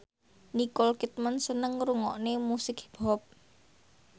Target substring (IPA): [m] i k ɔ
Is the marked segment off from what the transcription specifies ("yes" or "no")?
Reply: yes